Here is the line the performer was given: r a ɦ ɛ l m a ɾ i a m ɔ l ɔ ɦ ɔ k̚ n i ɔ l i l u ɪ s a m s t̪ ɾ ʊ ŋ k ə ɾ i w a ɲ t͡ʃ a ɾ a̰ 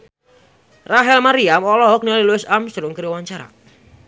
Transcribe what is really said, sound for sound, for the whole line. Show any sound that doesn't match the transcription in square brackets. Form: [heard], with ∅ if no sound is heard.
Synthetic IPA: r a ɦ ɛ l m a ɾ i a m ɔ l ɔ ɦ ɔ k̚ n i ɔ l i l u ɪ s a m s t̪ ɾ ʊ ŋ k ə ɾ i w a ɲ t͡ʃ a ɾ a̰

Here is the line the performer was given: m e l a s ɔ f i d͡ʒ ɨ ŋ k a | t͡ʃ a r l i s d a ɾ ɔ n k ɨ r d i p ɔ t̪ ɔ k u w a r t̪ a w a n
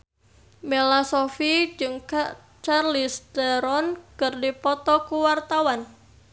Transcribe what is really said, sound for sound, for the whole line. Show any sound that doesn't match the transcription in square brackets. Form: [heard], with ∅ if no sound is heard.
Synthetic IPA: m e l a s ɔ f i d͡ʒ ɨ ŋ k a | t͡ʃ a r l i s d a ɾ ɔ n k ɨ r d i p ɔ t̪ ɔ k u w a r t̪ a w a n

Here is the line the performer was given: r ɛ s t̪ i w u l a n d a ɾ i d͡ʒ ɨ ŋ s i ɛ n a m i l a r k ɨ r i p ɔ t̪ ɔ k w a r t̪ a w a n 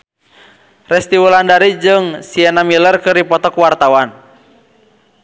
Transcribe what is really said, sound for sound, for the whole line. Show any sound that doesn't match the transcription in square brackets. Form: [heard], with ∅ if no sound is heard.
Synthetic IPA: r ɛ s t̪ i w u l a n d a ɾ i d͡ʒ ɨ ŋ s i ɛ n a m i l [ə] r k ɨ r i p ɔ t̪ ɔ k w a r t̪ a w a n

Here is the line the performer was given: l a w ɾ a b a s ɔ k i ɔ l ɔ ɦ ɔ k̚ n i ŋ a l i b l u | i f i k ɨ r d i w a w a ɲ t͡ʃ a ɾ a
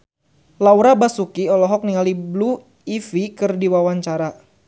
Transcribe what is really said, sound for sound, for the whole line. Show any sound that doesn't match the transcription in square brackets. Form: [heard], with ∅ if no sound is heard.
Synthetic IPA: l a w ɾ a b a s [u] k i ɔ l ɔ ɦ ɔ k̚ n i ŋ a l i b l u | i f i k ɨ r d i w a w a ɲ t͡ʃ a ɾ a

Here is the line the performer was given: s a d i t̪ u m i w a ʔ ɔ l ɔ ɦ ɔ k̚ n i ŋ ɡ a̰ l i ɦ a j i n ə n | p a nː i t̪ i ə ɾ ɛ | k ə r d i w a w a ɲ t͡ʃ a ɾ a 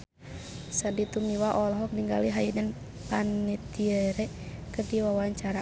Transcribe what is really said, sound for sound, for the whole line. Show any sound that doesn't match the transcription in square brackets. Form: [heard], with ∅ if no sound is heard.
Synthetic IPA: s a d i t̪ u m i w a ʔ ɔ l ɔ ɦ ɔ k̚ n i ŋ ɡ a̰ l i ɦ a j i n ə n | p a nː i t̪ i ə ɾ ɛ | k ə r d i w a w a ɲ t͡ʃ a ɾ a

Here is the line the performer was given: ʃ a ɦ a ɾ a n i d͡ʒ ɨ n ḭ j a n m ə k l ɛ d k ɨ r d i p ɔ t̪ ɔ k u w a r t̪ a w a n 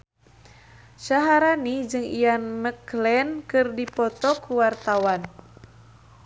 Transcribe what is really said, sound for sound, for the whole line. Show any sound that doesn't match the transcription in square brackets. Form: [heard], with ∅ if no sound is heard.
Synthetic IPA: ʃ a ɦ a ɾ a n i d͡ʒ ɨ [ŋ] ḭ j a n m ə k l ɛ [n] k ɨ r d i p ɔ t̪ ɔ k u w a r t̪ a w a n

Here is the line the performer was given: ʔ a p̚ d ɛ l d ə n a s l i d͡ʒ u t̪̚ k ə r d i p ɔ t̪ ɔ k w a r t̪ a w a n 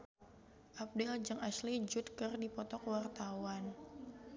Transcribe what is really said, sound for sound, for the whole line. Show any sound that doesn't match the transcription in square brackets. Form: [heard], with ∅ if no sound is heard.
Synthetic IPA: ʔ a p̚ d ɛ l [d͡ʒ] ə [ŋ] a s l i d͡ʒ u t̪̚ k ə r d i p ɔ t̪ ɔ k w a r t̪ a w a n

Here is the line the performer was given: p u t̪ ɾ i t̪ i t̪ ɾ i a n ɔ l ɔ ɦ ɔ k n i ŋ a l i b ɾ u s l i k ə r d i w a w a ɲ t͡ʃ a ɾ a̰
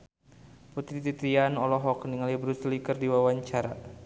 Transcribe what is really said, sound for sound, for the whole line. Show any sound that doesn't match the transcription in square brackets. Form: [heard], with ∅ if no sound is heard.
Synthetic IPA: p u t̪ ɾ i t̪ i t̪ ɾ i a n ɔ l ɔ ɦ ɔ k n i ŋ a l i b ɾ u s l i k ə r d i w a w a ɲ t͡ʃ a ɾ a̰

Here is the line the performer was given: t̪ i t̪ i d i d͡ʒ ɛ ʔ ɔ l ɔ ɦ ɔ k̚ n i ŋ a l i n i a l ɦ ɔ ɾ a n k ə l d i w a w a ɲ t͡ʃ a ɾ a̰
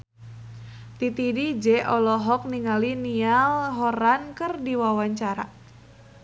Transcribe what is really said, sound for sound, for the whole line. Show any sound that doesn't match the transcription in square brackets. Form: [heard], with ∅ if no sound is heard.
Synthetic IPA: t̪ i t̪ i d i d͡ʒ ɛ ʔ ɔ l ɔ ɦ ɔ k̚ n i ŋ a l i n i a l ɦ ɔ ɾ a n k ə [r] d i w a w a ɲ t͡ʃ a ɾ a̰

